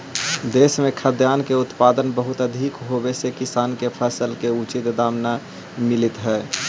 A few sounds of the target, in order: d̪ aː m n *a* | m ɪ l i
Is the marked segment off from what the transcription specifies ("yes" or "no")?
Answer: no